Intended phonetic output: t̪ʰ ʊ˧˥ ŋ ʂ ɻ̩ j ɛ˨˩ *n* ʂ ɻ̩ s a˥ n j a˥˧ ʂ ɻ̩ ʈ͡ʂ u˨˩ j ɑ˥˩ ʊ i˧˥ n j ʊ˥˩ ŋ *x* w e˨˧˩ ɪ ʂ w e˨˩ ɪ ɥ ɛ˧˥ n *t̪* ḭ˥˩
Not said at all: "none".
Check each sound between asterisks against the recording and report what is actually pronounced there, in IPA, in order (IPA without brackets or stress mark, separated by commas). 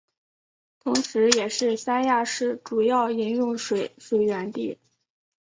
none, ʂ, t̪